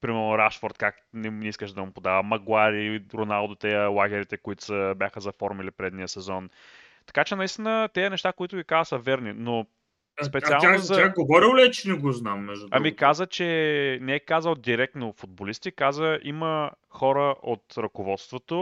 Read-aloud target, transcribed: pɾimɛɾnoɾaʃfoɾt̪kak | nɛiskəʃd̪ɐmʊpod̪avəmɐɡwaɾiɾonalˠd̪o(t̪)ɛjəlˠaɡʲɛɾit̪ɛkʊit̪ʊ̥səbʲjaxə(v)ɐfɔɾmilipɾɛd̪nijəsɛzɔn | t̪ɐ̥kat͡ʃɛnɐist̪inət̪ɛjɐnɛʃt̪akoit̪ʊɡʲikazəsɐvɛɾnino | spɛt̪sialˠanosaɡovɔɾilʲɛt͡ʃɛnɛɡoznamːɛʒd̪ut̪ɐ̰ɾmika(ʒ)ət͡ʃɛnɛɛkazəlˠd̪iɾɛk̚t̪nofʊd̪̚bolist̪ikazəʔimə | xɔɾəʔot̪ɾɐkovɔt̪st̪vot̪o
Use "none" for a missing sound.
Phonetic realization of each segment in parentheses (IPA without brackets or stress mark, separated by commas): t̪, z, z